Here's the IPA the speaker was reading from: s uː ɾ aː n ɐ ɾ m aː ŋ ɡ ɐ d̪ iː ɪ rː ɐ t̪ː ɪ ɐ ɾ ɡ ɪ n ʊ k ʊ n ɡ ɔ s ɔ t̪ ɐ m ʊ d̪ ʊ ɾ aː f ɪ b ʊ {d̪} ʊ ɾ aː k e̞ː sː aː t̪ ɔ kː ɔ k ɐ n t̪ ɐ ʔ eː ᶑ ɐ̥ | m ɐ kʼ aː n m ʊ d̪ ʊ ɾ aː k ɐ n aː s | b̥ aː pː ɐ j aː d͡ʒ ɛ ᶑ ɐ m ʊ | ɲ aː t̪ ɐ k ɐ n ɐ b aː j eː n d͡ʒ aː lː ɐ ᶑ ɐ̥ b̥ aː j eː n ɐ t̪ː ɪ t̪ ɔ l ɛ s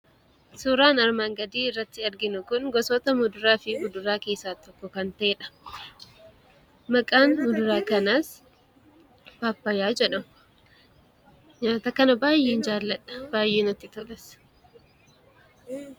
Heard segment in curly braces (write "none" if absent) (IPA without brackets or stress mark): d̪